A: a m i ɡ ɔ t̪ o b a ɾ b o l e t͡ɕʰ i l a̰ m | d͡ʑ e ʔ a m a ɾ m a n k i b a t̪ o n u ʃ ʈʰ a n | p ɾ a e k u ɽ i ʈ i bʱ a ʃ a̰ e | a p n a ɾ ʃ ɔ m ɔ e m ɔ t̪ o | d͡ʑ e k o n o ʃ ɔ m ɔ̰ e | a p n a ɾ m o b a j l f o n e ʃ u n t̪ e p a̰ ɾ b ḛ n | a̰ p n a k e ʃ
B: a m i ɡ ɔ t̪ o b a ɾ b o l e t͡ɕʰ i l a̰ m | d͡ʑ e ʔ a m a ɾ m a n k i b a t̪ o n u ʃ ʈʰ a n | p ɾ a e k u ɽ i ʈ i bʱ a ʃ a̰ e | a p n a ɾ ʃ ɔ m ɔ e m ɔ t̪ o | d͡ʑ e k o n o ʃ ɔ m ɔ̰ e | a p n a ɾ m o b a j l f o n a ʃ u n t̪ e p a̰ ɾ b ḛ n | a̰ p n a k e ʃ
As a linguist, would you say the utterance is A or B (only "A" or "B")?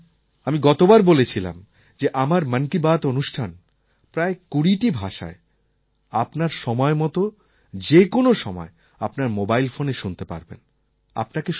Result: A